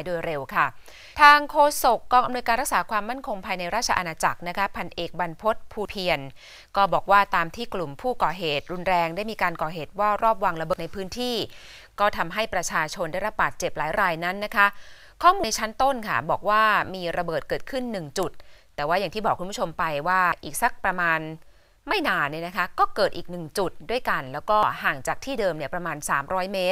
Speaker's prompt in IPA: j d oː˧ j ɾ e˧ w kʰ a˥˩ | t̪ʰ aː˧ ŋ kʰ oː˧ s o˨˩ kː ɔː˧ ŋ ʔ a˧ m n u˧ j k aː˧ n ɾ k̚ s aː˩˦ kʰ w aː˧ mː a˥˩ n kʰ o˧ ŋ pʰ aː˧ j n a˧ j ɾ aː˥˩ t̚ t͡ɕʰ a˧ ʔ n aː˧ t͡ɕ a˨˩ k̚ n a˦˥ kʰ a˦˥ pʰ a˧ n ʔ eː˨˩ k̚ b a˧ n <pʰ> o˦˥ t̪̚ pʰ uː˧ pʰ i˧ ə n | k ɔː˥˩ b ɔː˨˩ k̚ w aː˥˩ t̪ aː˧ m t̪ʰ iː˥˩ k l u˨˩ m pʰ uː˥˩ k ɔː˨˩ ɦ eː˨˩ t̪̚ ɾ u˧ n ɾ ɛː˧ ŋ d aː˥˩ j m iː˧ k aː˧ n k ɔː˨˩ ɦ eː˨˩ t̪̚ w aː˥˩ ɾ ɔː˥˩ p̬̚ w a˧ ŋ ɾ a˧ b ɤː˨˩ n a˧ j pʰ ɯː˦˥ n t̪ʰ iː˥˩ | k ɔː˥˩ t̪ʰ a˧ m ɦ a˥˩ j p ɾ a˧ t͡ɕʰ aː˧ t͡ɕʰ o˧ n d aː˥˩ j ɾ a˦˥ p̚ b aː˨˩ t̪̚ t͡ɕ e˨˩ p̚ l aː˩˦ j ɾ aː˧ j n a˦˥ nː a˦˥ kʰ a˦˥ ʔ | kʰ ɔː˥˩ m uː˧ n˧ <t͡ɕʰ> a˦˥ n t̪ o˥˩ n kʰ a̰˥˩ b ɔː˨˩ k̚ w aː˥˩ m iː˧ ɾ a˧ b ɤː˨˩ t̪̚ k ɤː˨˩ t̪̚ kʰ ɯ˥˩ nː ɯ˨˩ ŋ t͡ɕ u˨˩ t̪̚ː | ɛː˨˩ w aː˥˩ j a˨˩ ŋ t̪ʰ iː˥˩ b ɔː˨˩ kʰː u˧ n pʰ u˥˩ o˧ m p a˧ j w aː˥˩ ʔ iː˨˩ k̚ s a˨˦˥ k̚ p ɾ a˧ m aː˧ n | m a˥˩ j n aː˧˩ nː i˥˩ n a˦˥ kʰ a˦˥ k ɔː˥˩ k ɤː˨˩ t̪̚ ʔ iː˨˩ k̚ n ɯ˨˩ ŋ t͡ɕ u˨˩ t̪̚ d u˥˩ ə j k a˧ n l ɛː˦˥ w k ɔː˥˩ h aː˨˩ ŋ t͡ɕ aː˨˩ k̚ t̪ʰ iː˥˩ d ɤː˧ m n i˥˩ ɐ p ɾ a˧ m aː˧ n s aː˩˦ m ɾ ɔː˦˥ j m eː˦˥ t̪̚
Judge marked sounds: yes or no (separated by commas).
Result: yes, yes